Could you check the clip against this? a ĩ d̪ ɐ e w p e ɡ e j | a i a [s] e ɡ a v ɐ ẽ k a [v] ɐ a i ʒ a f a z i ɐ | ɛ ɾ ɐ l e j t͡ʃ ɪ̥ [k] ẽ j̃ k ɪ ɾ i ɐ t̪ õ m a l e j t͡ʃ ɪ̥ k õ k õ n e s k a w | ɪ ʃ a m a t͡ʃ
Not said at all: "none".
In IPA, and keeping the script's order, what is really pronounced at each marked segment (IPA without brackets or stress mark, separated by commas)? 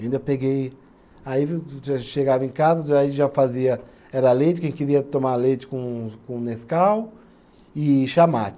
ʃ, z, k